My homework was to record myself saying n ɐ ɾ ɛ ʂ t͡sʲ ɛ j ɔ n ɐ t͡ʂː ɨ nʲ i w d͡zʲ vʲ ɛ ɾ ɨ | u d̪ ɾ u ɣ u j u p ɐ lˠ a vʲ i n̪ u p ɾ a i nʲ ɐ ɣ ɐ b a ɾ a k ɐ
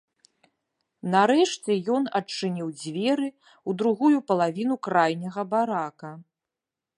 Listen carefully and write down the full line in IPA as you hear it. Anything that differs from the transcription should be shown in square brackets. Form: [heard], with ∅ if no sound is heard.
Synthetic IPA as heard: n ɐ ɾ ɛ ʂ t͡sʲ ɛ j ɔ n ɐ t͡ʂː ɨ nʲ i w d͡zʲ vʲ ɛ ɾ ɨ | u d̪ ɾ u ɣ u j u p ɐ lˠ a vʲ i n̪ u [k] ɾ a [j] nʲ ɐ ɣ ɐ b a ɾ a k ɐ